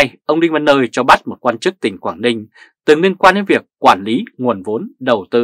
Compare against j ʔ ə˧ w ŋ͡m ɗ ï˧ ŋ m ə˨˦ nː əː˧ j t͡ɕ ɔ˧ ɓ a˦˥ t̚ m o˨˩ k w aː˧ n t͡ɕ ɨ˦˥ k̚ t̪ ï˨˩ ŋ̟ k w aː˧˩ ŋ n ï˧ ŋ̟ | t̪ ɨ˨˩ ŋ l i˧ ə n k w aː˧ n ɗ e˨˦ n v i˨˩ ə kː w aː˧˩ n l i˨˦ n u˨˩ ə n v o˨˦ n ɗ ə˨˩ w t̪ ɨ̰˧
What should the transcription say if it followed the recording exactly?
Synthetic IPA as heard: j ʔ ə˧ w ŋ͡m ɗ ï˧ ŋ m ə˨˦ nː əː˧ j t͡ɕ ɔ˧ ɓ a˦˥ t̚ m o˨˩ k w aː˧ n t͡ɕ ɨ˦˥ k̚ t̪ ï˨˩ ŋ̟ k w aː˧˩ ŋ n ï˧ ŋ̟ | t̪ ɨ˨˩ ŋ l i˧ ə n k w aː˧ n ɗ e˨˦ n v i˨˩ ə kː w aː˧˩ n l i˨˦ ŋ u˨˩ ə n v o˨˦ n ɗ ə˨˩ w t̪ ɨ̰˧